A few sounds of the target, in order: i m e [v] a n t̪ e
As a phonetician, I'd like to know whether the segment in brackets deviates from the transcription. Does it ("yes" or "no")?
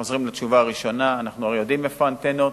yes